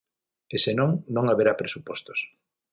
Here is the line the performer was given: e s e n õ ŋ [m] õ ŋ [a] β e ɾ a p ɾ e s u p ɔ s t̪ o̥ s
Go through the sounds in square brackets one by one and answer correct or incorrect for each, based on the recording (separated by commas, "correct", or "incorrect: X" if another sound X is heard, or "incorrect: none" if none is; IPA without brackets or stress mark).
incorrect: n, correct